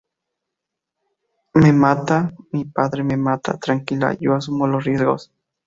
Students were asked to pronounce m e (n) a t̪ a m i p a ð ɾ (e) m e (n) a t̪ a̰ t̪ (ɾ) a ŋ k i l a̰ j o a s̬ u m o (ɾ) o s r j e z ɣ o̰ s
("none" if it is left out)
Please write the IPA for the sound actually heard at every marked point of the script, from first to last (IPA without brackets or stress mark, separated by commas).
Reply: m, e, m, ɾ, l